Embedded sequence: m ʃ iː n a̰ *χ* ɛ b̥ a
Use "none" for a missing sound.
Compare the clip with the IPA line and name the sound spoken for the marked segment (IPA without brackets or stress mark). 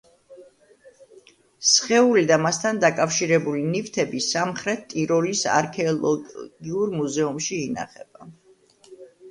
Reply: χ